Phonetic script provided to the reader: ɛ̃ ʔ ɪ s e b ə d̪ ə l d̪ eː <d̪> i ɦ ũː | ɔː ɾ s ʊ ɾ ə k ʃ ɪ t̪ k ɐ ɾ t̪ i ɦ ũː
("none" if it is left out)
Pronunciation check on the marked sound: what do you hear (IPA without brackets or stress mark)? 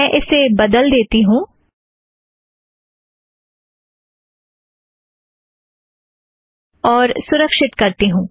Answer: t̪